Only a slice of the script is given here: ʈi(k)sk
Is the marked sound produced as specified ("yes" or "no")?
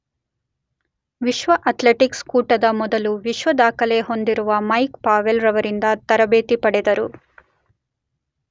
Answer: yes